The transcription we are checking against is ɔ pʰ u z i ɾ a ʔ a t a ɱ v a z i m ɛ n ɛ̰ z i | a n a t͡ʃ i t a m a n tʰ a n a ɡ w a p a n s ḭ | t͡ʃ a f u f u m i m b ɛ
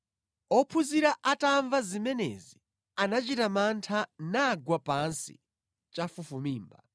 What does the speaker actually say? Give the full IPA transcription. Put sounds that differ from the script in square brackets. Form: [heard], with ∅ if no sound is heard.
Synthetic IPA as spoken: ɔ pʰ u z i ɾ a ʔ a t a ɱ v a z i m ɛ n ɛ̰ z i | a n a t͡ʃ i t a m a n tʰ a n a ɡ w a p a n s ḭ | t͡ʃ a f u f u m [iː] m b [a]

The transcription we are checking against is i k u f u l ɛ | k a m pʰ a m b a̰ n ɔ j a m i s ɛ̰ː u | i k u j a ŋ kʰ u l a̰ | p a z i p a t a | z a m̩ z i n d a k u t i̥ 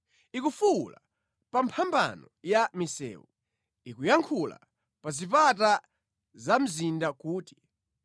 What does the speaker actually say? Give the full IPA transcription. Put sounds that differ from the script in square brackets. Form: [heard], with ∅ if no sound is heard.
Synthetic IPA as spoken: i k u f u l [a] | [p] a m pʰ a m b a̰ n ɔ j a m i s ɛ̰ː u | i k u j a ŋ kʰ u l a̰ | p a z i p a t a | z a m̩ z i n d a k [uː] t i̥

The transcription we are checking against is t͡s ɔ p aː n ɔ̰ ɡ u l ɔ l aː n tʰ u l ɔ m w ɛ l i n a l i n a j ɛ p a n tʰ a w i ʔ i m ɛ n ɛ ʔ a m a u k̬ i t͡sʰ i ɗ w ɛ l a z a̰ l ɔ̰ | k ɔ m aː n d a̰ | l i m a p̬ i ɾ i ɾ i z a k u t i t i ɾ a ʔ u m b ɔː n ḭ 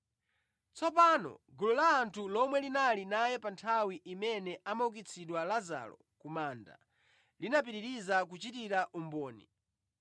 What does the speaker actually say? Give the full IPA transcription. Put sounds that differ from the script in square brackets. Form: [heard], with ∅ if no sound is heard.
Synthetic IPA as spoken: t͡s ɔ p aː n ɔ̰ ɡ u l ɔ l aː n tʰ u l ɔ m w ɛ l i n a l i n a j ɛ p a n tʰ a w i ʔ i m ɛ n ɛ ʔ a m a u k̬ i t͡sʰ i ɗ w [a] l a z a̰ l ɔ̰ | k [u] m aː n d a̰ | l i [n] a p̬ i ɾ i ɾ i z a k u [t͡ʃ] i t i ɾ a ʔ u m b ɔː n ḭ

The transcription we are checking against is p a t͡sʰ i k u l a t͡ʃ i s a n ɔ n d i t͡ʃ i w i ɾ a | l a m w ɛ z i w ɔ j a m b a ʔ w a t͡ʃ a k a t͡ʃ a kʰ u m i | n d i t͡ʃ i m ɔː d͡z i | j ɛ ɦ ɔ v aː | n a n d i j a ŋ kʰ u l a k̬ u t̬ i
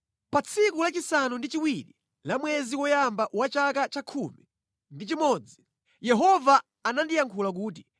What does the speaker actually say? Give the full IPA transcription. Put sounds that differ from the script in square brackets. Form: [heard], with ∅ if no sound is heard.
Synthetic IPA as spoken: p a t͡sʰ i k u l a t͡ʃ i s a n [u] n d i t͡ʃ i w i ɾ [i] | l a m w ɛ z i w ɔ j a m b a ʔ w a t͡ʃ a k a t͡ʃ a kʰ u m i | n d i t͡ʃ i m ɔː d͡z i | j ɛ ɦ ɔ v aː | n a n d i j a ŋ kʰ u l a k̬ [uː] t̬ i

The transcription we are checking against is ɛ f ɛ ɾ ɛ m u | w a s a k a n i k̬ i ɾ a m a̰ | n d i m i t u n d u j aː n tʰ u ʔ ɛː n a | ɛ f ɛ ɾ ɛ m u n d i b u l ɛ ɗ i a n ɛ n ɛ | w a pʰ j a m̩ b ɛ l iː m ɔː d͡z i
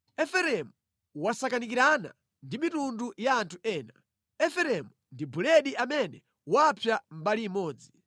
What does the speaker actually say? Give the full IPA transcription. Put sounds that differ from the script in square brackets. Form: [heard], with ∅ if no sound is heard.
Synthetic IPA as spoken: ɛ f ɛ ɾ ɛ m u | w a s a k a n i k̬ i ɾ a [n] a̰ | n d i m i t u n d u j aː n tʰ u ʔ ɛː n a | ɛ f ɛ ɾ ɛ m u n d i b u l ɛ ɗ i a [m] ɛ n ɛ | w a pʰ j a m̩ b [a] l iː m ɔː d͡z i

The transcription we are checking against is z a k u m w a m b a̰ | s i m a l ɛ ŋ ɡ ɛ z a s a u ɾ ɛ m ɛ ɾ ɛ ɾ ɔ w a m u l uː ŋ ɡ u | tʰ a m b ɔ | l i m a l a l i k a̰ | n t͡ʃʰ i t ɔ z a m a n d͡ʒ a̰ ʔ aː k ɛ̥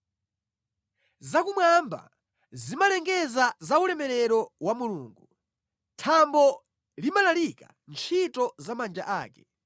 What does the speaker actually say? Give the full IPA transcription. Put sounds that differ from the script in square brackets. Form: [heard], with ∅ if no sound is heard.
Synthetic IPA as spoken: z a k u m w a m b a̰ | [z] i m a l ɛ ŋ ɡ ɛ z a [z] a u [l] ɛ m ɛ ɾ ɛ ɾ ɔ w a m u l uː ŋ ɡ u | tʰ a m b ɔ | l i m a l a l i k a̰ | n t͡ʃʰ i t ɔ z a m a n d͡ʒ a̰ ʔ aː k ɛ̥

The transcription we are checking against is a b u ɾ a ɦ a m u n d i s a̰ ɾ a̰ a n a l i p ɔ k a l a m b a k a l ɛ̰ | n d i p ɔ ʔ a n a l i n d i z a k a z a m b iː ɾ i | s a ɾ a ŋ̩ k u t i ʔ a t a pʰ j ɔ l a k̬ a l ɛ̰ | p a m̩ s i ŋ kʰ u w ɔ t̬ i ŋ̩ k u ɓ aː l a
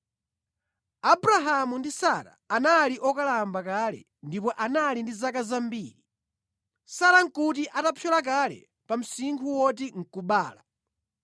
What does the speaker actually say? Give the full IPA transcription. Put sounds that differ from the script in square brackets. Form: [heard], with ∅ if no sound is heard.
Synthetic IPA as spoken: a b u ɾ a ɦ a m u n d i s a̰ ɾ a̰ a n a l i [ʔ] ɔ k a l a m b a k a l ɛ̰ | n d i p ɔ ʔ a n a l i n d i z a k a z a m b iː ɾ i | s a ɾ a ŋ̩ k u t i ʔ a t a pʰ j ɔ l a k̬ a l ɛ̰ | p a m̩ s i ŋ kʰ u w ɔ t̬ i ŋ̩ k u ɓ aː l a

